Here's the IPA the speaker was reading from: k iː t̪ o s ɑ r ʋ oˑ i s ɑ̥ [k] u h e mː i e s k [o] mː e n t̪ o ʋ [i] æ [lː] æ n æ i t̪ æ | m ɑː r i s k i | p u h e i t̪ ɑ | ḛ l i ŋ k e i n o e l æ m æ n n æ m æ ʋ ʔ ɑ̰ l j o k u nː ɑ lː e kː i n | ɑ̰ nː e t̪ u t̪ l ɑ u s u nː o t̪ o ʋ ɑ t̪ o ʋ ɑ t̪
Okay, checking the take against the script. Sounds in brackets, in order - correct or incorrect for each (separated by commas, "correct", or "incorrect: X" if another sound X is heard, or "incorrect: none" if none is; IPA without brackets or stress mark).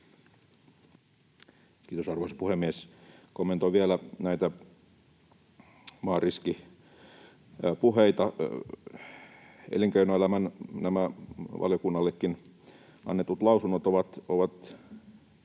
incorrect: p, correct, correct, incorrect: l